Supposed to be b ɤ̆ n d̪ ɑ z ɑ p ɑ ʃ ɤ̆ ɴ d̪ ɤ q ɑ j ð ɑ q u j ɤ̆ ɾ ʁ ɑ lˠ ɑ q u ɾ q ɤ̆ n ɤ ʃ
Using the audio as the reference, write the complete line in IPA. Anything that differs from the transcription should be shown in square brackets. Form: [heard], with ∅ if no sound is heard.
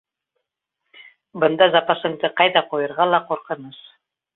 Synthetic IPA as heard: b ɤ̆ n d̪ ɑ z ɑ p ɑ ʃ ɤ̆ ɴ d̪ ɤ q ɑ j ð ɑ q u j ɤ̆ ɾ ʁ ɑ lˠ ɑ q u ɾ q ɤ̆ n ɤ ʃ

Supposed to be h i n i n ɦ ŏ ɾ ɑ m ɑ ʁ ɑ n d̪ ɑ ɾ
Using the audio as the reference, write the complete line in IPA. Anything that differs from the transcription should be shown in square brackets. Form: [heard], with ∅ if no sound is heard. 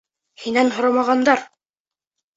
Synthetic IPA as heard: h i n [æ] n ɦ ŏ ɾ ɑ m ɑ ʁ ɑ n d̪ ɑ ɾ

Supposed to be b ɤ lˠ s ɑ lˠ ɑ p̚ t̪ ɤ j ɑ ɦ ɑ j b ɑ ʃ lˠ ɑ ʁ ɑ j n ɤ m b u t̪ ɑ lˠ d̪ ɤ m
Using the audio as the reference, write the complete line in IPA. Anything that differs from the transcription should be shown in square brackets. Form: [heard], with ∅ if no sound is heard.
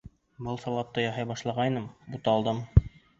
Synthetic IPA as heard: b ɤ lˠ s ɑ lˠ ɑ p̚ t̪ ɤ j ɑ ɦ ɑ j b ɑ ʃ lˠ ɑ ʁ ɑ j n ɤ m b u t̪ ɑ lˠ d̪ ɤ m

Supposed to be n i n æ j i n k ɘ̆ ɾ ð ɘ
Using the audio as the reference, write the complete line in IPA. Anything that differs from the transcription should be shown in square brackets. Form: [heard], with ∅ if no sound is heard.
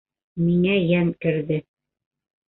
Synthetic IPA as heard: [m] i [ŋ] æ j [æ] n k ɘ̆ ɾ ð ɘ

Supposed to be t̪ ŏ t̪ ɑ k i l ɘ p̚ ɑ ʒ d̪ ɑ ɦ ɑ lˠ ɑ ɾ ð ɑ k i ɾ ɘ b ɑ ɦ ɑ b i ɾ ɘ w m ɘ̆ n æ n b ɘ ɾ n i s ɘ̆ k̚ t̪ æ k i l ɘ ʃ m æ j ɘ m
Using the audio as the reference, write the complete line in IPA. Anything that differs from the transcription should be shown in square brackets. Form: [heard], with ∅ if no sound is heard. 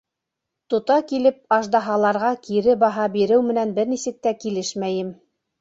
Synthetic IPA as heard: t̪ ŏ t̪ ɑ k i l ɘ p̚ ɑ ʒ d̪ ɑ ɦ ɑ lˠ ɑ ɾ [ʁ] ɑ k i ɾ ɘ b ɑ ɦ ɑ b i ɾ ɘ w m ɘ̆ n æ n b ɘ ɾ n i s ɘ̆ k̚ t̪ æ k i l ɘ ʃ m æ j ɘ m

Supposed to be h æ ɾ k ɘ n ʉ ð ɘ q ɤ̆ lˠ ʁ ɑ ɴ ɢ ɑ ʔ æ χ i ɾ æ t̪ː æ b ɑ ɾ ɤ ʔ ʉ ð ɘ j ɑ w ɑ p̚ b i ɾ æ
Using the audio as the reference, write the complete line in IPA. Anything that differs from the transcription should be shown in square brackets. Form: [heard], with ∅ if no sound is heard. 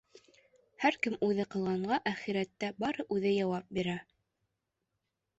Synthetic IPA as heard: h æ ɾ k ɘ [m] ʉ ð ɘ q ɤ̆ lˠ ʁ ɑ ɴ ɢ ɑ ʔ æ χ i ɾ æ t̪ː æ b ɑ ɾ ɤ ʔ ʉ ð ɘ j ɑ w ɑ p̚ b i ɾ æ

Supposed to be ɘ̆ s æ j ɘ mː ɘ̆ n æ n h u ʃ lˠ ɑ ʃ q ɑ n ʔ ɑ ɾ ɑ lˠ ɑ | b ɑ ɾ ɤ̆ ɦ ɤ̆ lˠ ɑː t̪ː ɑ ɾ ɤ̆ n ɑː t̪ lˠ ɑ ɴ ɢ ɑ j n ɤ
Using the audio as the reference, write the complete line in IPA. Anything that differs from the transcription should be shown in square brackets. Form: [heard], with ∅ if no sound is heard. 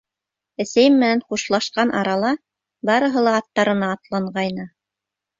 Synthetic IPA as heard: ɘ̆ s æ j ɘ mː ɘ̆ n æ n [χ] u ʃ lˠ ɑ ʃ q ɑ n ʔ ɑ ɾ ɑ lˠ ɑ | b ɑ ɾ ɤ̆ ɦ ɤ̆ lˠ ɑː t̪ː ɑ ɾ ɤ̆ n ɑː t̪ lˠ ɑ ɴ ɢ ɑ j n ɤ

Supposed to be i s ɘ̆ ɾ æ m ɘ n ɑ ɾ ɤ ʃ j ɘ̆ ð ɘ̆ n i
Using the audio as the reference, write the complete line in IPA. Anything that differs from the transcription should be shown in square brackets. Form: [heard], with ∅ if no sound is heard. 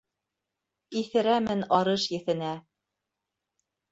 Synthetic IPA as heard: i [θ] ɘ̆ ɾ æ m ɘ n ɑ ɾ ɤ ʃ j ɘ̆ [θ] ɘ̆ n [æ]

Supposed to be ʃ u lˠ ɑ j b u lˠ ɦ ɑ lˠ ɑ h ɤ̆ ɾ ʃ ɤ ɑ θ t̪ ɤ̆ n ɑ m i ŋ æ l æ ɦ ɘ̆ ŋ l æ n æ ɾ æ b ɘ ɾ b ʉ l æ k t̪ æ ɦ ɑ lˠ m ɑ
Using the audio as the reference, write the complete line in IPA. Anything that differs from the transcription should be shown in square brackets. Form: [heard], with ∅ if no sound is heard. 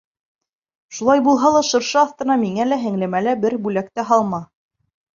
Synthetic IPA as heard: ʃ u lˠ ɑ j b u lˠ ɦ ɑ lˠ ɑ [ʃ] ɤ̆ ɾ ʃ ɤ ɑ θ t̪ ɤ̆ n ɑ m i ŋ æ l æ ɦ ɘ̆ ŋ l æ [m] æ [l] æ b ɘ ɾ b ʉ l æ k t̪ æ ɦ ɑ lˠ m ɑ

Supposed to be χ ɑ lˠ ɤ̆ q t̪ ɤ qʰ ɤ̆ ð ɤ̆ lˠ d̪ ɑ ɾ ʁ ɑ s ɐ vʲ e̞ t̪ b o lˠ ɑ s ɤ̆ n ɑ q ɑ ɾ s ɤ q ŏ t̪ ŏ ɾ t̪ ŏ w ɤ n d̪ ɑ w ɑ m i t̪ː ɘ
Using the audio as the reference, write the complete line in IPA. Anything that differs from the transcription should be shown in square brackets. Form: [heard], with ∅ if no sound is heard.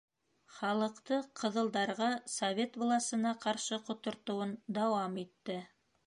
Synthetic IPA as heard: χ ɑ lˠ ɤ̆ q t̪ ɤ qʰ ɤ̆ ð ɤ̆ lˠ d̪ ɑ ɾ ʁ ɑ s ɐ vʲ e̞ t̪ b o lˠ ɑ s ɤ̆ n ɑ q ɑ ɾ [ʃ] ɤ q ŏ t̪ ŏ ɾ t̪ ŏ w ɤ n d̪ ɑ w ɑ m i t̪ː ɘ

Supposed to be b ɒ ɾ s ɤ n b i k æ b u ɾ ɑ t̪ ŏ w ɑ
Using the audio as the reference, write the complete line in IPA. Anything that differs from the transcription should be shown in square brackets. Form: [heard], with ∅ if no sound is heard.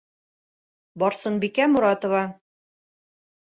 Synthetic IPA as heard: b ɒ ɾ s ɤ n b i k æ [m] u ɾ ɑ t̪ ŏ [v] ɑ

